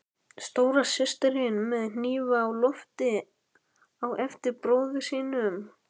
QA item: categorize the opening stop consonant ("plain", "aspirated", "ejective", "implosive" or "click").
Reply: plain